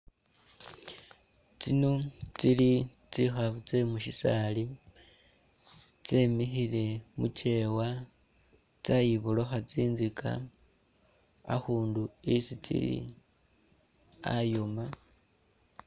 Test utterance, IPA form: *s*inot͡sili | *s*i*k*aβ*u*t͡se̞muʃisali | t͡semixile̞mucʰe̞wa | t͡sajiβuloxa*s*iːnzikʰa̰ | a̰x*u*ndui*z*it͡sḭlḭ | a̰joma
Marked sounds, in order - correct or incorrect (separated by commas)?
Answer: incorrect, incorrect, incorrect, correct, incorrect, incorrect, incorrect